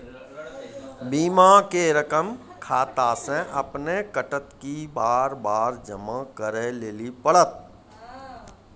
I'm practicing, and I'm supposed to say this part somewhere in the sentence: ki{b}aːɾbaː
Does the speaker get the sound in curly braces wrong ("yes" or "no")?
no